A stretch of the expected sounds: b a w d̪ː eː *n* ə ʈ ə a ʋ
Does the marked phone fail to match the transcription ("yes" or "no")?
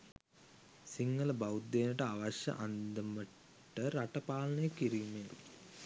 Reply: no